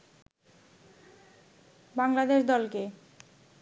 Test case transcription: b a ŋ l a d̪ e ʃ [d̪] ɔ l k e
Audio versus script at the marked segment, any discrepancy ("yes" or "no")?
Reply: no